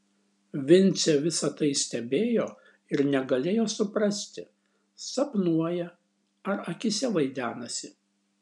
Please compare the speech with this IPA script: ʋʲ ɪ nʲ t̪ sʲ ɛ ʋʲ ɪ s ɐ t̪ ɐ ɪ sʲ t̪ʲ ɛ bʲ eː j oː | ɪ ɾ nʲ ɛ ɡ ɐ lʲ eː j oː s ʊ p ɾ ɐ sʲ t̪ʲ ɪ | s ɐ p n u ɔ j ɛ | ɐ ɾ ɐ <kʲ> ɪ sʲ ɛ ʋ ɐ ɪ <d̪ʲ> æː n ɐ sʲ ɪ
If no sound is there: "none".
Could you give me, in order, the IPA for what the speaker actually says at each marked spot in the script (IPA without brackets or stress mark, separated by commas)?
kʲ, d̪ʲ